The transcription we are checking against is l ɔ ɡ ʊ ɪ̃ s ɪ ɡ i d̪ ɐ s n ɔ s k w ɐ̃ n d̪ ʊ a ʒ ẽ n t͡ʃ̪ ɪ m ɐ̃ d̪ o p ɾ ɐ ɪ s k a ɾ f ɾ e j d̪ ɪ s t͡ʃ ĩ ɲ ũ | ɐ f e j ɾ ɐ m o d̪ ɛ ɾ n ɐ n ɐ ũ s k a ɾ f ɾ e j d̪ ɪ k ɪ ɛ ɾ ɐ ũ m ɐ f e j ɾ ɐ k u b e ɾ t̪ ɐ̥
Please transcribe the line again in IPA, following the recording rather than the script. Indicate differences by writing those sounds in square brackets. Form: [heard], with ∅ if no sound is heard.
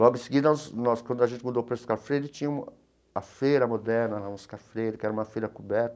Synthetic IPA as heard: l ɔ ɡ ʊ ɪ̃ s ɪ ɡ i d̪ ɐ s n ɔ s k w ɐ̃ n d̪ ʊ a ʒ ẽ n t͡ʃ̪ ɪ m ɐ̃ d̪ o p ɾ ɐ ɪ s k a ɾ f ɾ e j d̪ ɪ [∅] t͡ʃ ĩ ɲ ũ | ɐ f e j ɾ ɐ m o d̪ ɛ ɾ n ɐ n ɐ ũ s k a ɾ f ɾ e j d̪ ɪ k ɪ ɛ ɾ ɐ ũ m ɐ f e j ɾ ɐ k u b [ɛ] ɾ t̪ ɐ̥